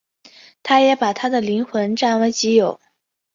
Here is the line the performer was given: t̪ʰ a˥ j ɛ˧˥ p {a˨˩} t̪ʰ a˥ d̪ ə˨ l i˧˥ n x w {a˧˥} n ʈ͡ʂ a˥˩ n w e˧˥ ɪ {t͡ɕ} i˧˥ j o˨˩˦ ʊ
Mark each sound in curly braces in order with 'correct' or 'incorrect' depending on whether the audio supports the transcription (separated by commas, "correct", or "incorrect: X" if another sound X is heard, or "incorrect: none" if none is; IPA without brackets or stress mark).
correct, incorrect: ə˧˥, correct